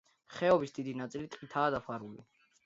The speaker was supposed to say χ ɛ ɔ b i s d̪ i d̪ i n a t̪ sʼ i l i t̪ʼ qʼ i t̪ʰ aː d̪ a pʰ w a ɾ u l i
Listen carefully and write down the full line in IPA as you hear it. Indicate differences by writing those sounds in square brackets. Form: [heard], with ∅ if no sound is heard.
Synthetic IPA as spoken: χ ɛ ɔ b i s d̪ i d̪ i n a t̪ sʼ i l i t̪ʼ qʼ i t̪ʰ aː d̪ a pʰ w a ɾ u l i